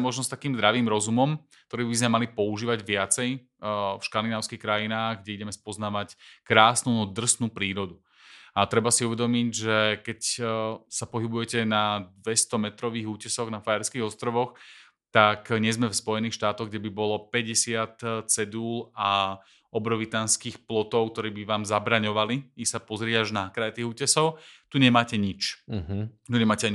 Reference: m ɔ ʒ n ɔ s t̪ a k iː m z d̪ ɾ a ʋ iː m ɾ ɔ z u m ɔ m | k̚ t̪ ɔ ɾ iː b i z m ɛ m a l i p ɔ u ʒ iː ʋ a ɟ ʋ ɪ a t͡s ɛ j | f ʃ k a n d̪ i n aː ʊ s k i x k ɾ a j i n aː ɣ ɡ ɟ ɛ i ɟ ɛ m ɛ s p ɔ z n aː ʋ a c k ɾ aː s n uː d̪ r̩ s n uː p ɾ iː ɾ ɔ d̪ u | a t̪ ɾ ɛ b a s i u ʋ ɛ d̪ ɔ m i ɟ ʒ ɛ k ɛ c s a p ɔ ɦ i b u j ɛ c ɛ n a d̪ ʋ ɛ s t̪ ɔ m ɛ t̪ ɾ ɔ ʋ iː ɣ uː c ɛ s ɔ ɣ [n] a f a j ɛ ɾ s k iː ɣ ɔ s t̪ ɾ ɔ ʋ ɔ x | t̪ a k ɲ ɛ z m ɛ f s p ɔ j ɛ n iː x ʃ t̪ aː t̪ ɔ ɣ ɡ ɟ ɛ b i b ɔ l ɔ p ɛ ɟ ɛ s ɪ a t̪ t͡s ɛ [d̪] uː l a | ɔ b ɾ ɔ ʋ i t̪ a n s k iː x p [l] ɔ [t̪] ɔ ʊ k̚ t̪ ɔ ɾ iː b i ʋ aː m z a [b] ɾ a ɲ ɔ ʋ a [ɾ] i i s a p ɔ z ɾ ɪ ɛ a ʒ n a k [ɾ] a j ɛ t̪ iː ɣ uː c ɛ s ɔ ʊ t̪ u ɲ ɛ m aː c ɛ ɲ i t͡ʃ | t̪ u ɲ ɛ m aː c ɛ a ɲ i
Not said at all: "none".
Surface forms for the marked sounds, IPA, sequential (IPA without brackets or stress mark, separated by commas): n, d̪, l, t̪, b, l, ɾ